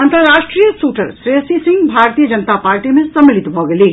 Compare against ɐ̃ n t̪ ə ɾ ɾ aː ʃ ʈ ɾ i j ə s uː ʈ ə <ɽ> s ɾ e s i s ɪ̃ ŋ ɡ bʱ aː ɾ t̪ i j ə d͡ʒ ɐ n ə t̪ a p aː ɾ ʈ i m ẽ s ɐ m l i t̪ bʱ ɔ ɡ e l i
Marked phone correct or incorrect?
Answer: incorrect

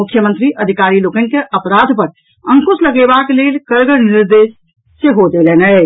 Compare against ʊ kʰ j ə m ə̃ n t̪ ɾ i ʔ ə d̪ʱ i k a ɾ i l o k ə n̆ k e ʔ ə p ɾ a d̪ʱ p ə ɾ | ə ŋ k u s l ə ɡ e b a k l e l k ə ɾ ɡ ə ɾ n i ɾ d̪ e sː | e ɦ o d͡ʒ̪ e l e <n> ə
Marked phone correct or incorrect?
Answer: correct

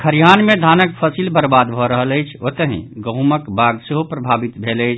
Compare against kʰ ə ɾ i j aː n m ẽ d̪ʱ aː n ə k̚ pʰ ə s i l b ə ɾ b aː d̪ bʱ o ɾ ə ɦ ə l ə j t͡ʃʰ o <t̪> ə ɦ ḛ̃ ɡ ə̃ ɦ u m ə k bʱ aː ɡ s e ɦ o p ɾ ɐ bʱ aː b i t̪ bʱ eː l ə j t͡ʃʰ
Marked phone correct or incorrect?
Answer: correct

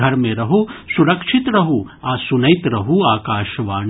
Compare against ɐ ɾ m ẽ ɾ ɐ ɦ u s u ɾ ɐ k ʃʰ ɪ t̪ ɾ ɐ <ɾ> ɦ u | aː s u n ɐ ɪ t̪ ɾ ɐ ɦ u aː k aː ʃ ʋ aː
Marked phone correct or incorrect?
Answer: incorrect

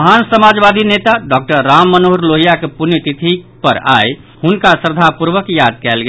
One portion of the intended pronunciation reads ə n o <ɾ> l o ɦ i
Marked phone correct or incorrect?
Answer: correct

